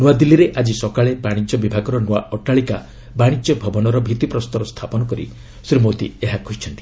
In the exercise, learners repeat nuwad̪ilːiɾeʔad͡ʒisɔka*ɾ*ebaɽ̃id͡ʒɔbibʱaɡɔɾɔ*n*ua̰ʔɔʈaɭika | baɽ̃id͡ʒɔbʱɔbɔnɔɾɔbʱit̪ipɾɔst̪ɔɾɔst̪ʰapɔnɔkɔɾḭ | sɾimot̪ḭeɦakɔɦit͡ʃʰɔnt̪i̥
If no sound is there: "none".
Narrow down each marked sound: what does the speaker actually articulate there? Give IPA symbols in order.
ɭ, n

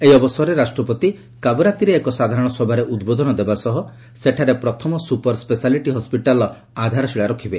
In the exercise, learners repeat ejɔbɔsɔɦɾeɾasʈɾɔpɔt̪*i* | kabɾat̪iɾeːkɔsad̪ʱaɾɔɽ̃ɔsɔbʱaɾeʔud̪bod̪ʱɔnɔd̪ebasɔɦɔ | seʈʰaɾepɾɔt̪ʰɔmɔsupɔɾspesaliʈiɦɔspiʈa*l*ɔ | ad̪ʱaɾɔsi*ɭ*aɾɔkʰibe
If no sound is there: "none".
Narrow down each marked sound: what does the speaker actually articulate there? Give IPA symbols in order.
i, l, ɭ

